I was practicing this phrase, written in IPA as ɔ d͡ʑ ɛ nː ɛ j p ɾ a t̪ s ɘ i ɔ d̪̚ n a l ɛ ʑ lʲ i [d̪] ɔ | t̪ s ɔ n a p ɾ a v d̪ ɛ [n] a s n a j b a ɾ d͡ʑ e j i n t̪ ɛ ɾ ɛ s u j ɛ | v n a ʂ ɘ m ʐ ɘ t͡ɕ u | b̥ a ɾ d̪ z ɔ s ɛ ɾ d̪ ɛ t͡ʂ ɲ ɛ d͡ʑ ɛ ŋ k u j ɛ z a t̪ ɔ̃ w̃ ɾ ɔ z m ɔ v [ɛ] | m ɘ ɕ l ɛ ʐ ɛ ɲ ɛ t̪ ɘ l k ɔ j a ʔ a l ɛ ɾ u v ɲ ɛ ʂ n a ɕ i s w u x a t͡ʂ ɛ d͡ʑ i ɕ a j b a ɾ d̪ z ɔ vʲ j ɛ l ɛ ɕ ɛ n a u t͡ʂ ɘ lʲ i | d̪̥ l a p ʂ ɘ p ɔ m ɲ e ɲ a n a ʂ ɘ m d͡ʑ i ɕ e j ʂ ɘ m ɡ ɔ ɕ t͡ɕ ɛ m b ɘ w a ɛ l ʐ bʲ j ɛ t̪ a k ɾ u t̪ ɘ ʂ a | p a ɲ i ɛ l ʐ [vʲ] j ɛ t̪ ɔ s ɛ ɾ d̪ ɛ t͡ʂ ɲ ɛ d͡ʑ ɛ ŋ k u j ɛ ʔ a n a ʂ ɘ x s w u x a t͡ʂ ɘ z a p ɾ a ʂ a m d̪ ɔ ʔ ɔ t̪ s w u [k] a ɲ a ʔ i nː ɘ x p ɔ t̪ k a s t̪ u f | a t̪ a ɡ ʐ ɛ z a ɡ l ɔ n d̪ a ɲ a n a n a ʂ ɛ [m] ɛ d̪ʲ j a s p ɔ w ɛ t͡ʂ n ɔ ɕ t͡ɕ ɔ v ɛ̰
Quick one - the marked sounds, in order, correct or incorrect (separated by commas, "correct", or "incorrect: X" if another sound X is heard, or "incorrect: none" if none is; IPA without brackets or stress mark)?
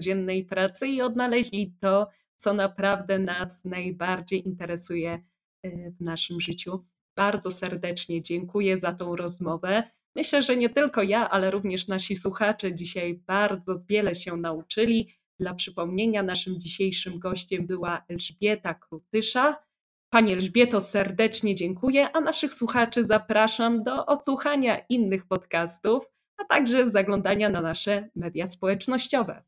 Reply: incorrect: t̪, correct, correct, incorrect: bʲ, incorrect: x, correct